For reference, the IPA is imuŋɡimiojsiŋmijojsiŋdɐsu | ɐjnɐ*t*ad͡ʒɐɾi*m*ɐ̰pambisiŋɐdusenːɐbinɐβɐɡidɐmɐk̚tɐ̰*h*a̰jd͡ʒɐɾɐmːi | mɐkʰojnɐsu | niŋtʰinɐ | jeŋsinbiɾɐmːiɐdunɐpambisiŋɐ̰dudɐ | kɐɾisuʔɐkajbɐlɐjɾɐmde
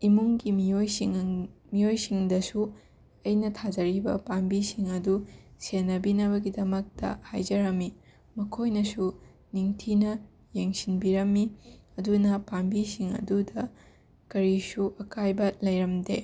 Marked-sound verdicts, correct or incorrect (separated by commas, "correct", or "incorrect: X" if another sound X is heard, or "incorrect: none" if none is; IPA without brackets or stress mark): incorrect: tʰ, incorrect: b, correct